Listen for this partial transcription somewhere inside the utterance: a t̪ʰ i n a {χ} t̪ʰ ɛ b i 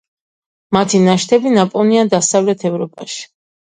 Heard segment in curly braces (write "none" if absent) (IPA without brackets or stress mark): ʃ